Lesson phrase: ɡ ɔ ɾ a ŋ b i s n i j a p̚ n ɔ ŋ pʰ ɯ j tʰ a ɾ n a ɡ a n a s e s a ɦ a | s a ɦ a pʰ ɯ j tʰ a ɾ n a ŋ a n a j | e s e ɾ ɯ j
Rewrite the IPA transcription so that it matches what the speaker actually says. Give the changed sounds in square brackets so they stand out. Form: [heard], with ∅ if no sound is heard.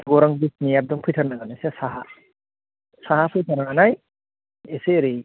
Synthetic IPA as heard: ɡ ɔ ɾ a ŋ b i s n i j a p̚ [d] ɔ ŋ pʰ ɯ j tʰ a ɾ n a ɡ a n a s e s a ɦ a | s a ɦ a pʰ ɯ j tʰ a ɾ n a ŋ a n a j | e s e ɾ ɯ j